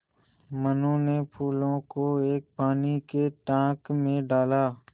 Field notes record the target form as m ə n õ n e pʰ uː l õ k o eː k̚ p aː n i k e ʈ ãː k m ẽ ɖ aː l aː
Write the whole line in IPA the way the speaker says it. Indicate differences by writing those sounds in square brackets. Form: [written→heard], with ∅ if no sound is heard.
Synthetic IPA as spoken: m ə n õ n e pʰ uː l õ k o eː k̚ p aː n i k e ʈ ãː k m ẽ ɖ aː l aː